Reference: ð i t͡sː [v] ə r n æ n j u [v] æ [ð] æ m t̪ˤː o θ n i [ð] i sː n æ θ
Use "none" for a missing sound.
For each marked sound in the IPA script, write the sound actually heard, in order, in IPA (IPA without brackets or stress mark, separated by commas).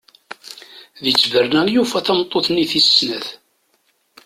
v, f, θ, θ